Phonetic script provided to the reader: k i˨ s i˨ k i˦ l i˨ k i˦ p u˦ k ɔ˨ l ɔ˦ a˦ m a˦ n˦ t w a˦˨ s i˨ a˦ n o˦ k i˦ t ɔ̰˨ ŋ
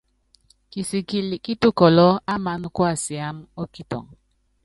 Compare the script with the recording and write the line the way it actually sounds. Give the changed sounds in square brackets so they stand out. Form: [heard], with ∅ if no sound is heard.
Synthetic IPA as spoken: k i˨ s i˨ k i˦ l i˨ k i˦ [t] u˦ k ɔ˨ l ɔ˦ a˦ m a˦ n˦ [k] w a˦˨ s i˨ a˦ [m] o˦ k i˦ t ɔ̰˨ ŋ